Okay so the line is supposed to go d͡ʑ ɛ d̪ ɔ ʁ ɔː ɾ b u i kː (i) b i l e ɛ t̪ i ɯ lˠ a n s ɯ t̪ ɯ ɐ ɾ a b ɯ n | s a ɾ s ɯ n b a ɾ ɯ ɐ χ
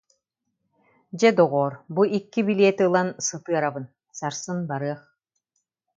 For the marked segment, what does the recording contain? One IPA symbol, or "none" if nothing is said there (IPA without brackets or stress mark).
i